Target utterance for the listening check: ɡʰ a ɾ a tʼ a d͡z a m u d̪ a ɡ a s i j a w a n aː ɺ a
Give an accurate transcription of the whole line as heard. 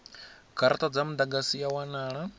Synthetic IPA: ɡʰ a ɾ a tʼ a d͡z a m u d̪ a ɡ a s i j a w a n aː ɺ a